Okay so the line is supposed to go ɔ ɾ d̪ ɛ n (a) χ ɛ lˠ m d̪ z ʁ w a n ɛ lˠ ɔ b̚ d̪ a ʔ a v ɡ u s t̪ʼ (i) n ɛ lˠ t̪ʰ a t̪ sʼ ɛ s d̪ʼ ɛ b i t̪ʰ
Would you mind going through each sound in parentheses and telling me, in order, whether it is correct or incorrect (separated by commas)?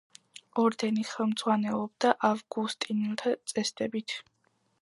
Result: incorrect, correct